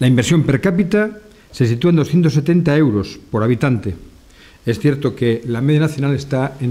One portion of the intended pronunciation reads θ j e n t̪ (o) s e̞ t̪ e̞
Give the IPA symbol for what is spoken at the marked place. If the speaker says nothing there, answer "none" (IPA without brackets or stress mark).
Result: o